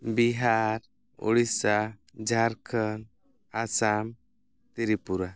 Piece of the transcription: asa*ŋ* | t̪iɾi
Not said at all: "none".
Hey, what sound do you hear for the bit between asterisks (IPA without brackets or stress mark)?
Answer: m